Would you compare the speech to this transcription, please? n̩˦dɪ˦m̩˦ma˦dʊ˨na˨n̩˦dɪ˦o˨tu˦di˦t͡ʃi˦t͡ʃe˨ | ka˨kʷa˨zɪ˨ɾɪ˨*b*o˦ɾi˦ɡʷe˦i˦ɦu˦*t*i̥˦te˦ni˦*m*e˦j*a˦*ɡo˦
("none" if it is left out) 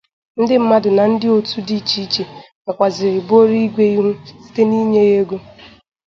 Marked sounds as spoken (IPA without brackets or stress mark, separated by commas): b, s, ɲ, e˦